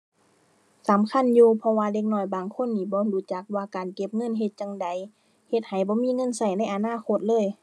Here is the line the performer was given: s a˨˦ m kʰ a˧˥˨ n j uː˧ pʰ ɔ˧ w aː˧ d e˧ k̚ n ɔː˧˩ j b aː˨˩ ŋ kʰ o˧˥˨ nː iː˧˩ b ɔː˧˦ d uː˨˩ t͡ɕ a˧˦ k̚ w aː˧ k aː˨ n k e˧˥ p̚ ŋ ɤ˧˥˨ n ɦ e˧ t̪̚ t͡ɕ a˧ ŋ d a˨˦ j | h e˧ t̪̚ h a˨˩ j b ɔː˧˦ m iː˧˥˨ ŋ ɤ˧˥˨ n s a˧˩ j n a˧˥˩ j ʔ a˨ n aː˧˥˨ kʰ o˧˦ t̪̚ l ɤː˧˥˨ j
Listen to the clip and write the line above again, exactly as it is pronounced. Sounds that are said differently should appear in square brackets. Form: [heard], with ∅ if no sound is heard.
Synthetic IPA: s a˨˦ m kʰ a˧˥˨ n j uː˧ pʰ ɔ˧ w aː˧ d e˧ k̚ n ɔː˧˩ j b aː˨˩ ŋ kʰ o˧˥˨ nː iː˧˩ b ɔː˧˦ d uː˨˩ t͡ɕ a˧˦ k̚ w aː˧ k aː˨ n k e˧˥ p̚ ŋ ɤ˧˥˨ n ɦ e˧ t̪̚ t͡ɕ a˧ ŋ d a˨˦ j | h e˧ t̪̚ h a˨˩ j b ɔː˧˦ m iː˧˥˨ ŋ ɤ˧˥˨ n s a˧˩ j n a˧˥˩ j ʔ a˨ n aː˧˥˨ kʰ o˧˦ t̪̚ l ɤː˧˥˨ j